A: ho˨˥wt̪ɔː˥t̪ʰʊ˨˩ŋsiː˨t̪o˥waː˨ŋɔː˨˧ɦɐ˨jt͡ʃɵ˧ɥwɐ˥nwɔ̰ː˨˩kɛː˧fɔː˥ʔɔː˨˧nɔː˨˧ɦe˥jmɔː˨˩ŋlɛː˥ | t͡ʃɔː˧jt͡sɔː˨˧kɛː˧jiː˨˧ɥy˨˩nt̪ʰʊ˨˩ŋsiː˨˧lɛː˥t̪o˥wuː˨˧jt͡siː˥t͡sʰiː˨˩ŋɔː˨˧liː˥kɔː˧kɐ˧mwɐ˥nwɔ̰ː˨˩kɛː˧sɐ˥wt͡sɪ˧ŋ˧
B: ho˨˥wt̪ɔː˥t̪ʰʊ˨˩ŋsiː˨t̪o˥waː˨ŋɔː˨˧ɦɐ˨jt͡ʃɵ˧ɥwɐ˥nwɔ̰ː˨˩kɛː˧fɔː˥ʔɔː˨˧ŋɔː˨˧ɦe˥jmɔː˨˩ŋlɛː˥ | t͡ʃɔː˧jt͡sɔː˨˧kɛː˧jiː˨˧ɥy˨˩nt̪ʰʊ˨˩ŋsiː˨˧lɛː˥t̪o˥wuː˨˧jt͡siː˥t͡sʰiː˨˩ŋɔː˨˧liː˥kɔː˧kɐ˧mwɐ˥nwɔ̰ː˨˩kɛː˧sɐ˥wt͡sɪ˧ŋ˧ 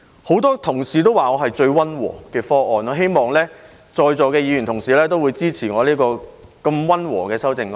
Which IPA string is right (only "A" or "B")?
A